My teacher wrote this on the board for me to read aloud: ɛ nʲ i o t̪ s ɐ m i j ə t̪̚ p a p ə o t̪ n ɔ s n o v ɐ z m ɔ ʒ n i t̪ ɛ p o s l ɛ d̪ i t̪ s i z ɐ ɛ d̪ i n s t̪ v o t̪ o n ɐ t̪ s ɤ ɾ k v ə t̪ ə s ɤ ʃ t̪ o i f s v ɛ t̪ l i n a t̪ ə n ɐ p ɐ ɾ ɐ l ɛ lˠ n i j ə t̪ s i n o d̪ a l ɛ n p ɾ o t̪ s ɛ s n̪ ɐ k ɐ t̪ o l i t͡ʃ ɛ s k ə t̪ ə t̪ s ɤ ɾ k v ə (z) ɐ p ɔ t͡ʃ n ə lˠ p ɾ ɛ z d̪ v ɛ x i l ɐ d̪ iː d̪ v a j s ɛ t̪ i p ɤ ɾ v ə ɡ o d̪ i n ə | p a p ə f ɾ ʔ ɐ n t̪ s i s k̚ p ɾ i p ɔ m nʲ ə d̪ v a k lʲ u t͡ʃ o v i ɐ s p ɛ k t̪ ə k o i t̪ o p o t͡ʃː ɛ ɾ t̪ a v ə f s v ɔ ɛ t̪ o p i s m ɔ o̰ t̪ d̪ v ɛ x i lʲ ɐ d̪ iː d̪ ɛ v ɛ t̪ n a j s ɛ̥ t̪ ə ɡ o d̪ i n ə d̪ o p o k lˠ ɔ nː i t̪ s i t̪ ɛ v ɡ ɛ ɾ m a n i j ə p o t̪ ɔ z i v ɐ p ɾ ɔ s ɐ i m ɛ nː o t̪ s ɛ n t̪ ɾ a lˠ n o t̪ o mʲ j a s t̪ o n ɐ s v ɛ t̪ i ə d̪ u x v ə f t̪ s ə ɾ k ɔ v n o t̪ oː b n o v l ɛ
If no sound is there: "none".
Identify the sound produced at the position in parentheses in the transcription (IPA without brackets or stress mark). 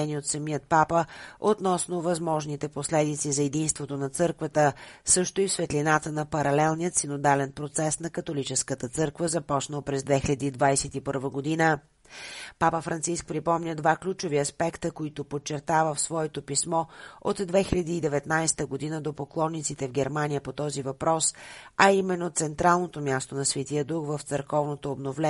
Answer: z